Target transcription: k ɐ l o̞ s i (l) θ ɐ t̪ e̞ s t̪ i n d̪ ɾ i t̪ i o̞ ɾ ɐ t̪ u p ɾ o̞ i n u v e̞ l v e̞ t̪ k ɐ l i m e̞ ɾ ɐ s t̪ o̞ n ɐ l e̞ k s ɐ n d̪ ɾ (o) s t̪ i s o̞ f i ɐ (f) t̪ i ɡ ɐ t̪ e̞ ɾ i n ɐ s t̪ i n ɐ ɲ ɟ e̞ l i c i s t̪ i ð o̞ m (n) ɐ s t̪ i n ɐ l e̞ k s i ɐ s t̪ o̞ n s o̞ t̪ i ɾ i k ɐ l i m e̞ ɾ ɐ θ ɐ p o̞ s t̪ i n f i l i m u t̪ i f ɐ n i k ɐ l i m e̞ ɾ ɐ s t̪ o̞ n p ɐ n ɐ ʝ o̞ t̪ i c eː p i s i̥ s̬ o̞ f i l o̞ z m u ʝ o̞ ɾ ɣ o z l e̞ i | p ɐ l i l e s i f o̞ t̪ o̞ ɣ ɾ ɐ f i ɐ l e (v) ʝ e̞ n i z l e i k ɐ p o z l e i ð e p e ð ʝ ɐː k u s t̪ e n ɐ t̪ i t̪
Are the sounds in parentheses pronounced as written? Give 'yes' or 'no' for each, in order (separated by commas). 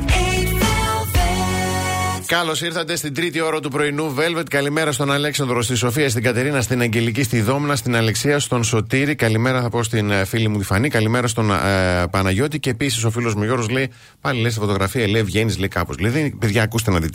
no, yes, no, yes, yes